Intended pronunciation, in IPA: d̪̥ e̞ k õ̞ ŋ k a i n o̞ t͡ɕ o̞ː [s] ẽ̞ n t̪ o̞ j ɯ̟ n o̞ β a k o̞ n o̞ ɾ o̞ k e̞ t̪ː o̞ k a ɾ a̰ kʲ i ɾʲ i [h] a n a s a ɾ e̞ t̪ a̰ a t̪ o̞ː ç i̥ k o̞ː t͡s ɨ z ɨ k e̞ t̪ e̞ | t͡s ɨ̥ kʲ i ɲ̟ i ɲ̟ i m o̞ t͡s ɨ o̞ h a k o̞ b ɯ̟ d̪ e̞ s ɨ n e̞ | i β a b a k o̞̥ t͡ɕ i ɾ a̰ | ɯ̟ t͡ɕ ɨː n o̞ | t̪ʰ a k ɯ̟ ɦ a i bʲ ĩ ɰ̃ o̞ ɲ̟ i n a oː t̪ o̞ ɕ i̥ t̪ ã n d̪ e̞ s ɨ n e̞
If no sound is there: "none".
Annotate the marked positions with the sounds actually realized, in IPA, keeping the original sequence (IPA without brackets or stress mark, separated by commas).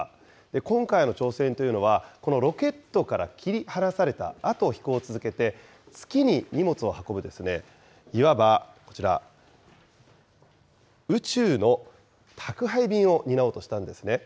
s, h